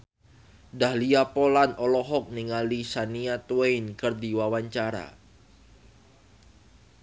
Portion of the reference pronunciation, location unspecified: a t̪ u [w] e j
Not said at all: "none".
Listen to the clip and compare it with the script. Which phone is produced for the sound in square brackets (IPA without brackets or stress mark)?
w